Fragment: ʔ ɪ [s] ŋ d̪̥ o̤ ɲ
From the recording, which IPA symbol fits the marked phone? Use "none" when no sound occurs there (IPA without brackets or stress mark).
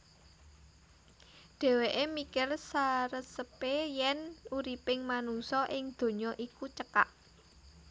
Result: none